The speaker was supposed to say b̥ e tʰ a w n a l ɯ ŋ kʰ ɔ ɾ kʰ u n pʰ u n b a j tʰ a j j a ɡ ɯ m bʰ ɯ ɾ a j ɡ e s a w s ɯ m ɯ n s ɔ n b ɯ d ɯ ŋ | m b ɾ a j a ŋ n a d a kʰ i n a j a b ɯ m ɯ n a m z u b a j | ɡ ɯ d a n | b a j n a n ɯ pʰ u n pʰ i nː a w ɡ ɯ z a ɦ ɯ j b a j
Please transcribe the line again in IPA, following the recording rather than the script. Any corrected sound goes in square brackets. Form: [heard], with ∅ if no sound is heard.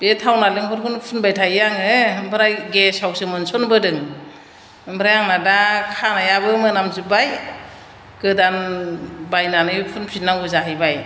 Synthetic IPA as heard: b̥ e tʰ a w n a l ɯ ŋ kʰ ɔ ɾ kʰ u n pʰ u n b a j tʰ a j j a [ŋ] ɯ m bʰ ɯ ɾ a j ɡ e s a w s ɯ m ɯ n s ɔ n b ɯ d ɯ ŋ | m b ɾ a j a ŋ n a d a kʰ [a] n a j a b ɯ m ɯ n a m z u b a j | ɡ ɯ d a n | b a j n a n ɯ pʰ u n pʰ i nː a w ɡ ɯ z a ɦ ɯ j b a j